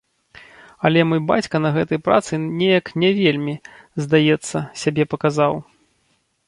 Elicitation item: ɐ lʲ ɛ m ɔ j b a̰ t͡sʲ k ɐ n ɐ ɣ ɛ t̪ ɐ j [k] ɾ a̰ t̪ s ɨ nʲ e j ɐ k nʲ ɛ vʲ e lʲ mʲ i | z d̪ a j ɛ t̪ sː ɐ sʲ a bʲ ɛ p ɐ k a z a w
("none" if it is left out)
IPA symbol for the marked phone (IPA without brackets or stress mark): p